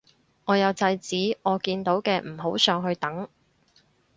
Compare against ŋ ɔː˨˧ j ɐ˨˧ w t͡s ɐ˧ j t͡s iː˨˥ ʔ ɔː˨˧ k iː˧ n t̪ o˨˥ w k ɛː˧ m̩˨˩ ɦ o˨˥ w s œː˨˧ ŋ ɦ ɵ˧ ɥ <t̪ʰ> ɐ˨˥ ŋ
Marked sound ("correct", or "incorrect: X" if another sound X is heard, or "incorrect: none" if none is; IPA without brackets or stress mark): incorrect: t̪